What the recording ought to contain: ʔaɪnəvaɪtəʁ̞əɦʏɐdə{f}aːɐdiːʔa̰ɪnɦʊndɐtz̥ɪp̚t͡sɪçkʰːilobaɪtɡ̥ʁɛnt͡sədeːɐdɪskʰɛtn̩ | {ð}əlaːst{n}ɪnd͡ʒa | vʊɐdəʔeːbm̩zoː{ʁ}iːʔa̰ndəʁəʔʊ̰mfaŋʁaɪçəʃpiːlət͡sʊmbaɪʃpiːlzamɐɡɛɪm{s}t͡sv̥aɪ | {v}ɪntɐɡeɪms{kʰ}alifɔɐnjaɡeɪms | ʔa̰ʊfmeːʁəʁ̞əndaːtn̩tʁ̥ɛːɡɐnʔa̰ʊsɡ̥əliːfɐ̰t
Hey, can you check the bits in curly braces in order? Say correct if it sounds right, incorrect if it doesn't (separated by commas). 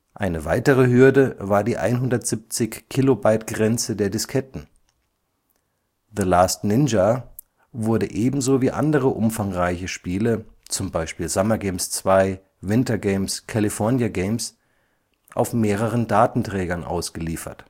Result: incorrect, correct, correct, incorrect, correct, correct, correct